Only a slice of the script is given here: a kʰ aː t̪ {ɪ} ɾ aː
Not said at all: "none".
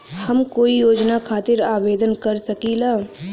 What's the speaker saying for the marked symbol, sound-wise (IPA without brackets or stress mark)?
ɪ